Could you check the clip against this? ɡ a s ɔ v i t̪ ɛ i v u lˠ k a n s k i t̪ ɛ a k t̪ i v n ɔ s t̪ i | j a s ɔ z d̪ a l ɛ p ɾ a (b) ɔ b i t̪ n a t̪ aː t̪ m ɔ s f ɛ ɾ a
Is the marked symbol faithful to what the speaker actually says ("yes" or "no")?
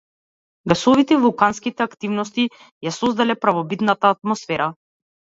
no